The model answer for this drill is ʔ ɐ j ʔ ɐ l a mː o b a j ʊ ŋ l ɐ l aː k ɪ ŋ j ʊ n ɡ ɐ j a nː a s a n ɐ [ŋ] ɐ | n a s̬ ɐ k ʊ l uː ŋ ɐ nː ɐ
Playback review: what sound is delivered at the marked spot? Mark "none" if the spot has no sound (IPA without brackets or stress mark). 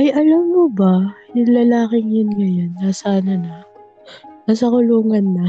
n